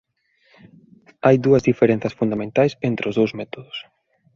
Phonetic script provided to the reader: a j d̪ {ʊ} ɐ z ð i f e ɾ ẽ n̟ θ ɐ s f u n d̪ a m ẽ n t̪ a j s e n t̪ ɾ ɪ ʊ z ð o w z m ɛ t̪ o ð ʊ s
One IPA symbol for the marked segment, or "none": u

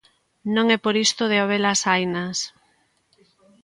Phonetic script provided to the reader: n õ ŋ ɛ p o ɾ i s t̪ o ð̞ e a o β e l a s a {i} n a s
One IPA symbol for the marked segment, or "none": j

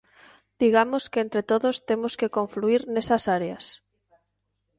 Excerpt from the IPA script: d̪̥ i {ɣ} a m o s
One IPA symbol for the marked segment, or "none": ɣ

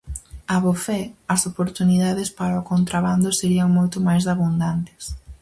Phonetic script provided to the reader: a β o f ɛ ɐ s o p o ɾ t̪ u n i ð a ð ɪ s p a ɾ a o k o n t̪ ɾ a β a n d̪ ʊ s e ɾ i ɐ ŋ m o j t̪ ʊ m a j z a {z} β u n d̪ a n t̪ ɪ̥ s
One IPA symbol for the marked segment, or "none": none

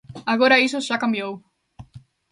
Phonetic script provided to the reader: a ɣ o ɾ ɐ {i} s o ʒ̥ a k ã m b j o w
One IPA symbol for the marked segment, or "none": i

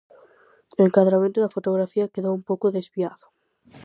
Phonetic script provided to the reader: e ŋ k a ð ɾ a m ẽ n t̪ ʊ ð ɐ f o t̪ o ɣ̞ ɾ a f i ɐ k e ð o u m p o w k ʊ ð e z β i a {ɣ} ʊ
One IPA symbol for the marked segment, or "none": ð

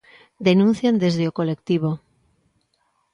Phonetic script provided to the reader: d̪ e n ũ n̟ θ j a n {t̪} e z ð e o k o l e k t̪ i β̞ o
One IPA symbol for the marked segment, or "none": d̪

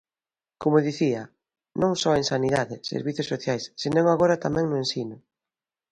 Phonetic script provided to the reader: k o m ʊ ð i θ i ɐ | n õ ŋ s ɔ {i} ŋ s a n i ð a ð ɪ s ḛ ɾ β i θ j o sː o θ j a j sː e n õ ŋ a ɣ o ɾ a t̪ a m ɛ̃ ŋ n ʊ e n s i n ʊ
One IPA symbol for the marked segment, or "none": e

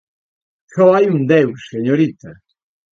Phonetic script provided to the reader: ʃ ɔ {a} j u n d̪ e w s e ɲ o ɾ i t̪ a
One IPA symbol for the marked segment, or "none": a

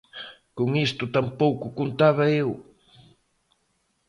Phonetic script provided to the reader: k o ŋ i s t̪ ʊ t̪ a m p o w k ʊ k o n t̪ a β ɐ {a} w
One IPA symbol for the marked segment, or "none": e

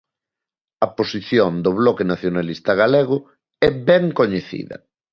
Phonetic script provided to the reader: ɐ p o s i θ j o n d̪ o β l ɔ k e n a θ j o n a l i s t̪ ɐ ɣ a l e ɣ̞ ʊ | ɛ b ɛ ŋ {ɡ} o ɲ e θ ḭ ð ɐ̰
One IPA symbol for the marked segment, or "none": k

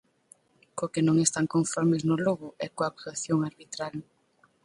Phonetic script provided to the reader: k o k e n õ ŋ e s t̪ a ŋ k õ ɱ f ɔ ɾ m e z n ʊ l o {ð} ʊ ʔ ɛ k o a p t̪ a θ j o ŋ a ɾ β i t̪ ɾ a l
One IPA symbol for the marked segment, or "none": ɣ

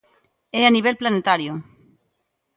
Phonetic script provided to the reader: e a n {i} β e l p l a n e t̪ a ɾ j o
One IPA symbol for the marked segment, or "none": i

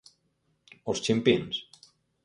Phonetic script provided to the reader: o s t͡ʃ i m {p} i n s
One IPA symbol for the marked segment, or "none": p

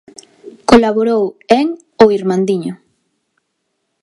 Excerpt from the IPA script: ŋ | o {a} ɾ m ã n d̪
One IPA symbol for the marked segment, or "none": i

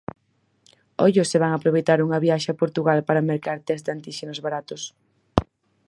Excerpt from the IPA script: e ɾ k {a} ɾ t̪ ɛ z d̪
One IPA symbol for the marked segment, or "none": a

